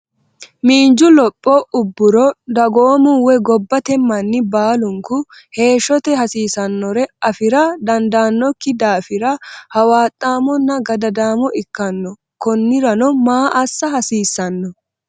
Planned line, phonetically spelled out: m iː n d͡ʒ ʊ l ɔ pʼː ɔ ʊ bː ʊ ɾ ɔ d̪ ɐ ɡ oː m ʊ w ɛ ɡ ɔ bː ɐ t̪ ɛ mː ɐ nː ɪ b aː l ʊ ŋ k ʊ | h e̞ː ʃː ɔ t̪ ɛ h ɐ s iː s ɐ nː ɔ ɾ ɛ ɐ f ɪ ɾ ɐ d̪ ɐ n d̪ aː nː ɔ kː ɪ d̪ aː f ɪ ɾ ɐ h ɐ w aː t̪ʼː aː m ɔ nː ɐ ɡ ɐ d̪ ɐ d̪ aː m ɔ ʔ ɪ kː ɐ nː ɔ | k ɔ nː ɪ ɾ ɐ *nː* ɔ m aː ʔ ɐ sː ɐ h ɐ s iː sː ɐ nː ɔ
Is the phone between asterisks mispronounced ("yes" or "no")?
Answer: yes